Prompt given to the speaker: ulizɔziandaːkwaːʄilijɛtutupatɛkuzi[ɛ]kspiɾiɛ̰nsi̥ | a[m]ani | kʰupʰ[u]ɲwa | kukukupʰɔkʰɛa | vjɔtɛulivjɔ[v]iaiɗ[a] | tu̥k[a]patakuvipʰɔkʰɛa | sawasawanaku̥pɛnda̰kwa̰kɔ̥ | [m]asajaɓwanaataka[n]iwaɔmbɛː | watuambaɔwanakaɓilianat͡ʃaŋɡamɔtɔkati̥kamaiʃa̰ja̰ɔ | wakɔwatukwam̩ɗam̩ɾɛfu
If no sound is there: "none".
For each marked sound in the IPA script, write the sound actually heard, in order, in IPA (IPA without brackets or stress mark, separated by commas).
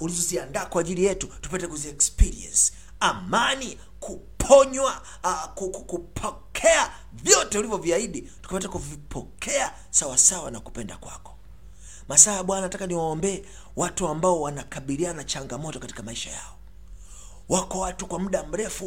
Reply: ɛ, m, ɔ, v, i, a, m, n